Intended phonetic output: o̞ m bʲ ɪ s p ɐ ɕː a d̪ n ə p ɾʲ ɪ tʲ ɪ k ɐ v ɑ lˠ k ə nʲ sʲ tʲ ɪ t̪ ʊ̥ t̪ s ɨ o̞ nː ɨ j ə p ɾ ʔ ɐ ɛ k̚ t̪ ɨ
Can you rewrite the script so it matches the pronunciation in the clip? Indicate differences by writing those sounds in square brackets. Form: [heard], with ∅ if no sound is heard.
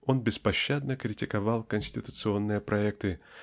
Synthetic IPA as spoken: o̞ [n] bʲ ɪ s p ɐ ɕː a d̪ n ə [k] ɾʲ ɪ tʲ ɪ k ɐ v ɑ lˠ k ə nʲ sʲ tʲ ɪ t̪ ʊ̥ t̪ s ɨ o̞ nː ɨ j ə p ɾ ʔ ɐ ɛ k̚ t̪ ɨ